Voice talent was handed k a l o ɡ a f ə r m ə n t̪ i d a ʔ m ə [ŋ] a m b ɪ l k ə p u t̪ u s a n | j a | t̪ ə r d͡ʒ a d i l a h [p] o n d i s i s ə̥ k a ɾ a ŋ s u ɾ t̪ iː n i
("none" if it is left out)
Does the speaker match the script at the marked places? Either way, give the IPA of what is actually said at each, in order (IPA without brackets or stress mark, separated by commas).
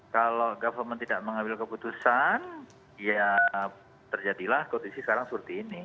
ŋ, k